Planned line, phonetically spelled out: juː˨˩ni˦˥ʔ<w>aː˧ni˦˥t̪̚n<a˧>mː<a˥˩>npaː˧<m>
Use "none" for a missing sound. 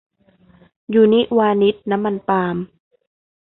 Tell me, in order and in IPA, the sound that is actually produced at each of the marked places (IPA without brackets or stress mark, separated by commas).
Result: w, a˦˥, a˧, m